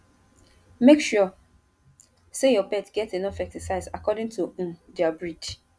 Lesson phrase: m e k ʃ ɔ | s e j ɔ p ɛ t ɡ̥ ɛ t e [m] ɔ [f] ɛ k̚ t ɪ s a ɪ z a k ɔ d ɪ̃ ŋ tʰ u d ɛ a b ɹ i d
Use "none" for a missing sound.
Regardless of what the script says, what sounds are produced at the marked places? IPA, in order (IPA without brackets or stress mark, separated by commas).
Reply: n, f